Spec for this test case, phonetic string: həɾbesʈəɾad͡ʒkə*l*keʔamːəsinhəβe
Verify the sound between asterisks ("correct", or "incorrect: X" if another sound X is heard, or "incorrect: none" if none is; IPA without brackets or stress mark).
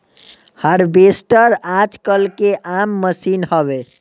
correct